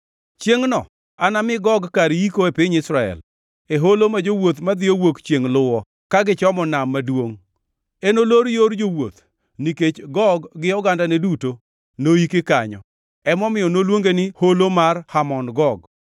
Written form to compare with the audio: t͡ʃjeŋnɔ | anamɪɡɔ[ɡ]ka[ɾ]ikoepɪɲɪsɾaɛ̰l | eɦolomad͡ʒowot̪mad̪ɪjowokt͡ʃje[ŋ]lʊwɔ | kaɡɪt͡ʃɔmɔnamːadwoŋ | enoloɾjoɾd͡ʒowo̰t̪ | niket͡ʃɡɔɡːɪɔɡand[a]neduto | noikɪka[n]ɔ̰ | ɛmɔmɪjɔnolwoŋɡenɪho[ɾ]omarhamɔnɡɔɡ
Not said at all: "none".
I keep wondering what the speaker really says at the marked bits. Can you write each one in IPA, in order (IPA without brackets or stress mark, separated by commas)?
ɡ, ɾ, ŋ, a, ɲ, l